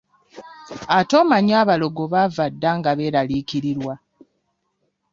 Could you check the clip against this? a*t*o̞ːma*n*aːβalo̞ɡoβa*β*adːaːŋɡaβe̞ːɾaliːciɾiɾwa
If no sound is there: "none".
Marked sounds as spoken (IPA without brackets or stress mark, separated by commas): t, ɲ, v